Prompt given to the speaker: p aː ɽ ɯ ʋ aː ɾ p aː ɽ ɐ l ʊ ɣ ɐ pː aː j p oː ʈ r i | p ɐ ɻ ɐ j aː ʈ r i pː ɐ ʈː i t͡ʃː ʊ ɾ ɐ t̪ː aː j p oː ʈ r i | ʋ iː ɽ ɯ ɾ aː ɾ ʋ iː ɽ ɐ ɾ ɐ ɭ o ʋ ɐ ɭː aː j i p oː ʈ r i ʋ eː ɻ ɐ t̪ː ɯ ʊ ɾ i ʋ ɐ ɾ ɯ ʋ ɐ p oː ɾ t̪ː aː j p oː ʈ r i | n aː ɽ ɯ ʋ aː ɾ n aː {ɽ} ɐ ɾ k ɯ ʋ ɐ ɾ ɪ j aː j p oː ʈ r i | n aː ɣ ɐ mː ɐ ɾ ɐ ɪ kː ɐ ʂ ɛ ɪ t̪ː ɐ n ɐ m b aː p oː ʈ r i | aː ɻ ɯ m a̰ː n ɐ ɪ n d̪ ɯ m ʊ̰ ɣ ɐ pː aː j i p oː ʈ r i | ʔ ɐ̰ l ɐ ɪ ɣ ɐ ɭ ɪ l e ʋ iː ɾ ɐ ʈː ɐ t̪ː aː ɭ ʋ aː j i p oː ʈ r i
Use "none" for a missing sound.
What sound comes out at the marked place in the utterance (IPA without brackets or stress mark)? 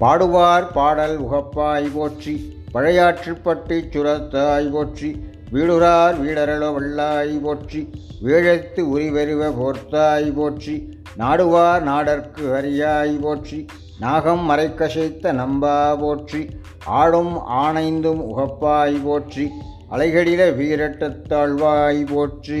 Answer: ɽ